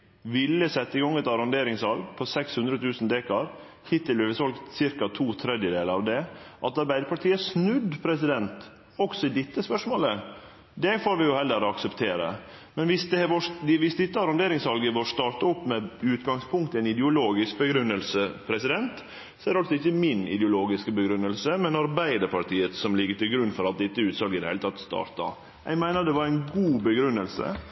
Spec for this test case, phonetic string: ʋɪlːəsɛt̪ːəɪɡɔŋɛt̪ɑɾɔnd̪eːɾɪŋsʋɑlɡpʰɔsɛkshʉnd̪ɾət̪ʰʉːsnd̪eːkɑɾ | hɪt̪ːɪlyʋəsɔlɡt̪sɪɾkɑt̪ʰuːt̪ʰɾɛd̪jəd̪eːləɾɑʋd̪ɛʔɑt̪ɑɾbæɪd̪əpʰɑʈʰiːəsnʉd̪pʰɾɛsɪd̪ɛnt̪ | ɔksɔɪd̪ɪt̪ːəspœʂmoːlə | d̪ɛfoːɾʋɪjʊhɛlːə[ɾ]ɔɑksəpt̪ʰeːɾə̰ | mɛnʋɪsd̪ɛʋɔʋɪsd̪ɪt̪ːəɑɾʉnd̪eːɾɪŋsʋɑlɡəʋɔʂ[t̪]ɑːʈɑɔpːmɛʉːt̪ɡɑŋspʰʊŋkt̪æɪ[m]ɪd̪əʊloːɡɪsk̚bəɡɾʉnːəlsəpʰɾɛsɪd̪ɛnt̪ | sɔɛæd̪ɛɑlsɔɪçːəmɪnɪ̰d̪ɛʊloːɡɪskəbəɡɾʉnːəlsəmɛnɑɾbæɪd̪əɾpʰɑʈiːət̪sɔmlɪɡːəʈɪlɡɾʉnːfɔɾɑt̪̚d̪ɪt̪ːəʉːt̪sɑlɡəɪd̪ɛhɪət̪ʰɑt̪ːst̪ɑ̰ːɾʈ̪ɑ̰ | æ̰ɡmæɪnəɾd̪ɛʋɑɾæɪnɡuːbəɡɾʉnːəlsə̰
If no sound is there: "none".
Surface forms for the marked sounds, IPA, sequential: ɾ, t̪, n

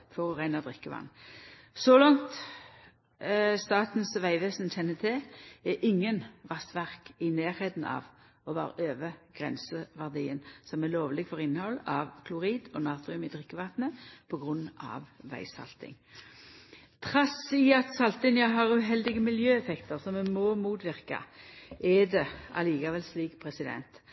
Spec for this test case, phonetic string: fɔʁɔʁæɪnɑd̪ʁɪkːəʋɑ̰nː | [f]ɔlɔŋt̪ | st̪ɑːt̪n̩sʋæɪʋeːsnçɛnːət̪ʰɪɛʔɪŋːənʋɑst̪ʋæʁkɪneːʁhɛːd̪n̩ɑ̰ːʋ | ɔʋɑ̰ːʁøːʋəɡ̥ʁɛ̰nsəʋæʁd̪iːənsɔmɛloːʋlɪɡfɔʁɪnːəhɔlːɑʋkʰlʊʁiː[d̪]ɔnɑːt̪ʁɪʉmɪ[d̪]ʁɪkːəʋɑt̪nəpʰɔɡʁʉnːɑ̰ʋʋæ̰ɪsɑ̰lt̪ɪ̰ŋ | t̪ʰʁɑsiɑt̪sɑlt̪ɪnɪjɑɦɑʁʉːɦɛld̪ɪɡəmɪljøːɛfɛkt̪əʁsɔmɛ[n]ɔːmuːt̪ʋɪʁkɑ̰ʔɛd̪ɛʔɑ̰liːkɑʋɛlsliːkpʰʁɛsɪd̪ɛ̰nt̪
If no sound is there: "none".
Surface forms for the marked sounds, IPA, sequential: s, d̪, d̪, m

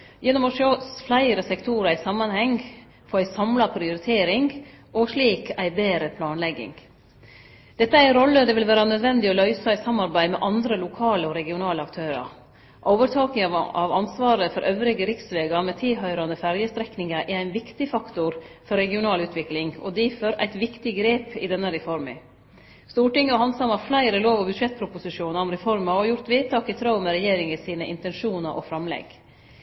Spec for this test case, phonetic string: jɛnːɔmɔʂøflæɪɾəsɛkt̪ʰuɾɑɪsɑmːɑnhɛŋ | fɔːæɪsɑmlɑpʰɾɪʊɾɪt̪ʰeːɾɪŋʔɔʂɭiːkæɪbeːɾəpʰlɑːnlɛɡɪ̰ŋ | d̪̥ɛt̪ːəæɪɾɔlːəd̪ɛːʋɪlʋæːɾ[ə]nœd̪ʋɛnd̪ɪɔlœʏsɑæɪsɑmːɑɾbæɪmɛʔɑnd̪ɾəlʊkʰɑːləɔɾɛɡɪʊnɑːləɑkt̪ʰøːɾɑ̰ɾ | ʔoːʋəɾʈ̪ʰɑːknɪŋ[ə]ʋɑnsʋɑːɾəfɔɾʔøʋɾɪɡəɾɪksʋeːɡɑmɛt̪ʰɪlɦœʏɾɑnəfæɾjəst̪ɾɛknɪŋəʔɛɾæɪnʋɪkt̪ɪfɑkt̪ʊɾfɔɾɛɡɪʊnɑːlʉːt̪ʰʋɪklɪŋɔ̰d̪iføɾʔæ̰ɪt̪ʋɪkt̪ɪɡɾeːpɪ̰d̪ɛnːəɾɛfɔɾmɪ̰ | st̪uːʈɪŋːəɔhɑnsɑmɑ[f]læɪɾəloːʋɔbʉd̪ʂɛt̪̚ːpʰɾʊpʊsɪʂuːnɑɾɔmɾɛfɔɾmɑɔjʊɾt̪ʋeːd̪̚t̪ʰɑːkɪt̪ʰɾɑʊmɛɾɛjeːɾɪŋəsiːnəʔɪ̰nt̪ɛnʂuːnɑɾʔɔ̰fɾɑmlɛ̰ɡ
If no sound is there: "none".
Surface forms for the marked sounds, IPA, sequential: ɑ, ɑ, f

